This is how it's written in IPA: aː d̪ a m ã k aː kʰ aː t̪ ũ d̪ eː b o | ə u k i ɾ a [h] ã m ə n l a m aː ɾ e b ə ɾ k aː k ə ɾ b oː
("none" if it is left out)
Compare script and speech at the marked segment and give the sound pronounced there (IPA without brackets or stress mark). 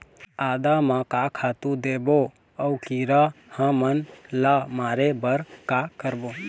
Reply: h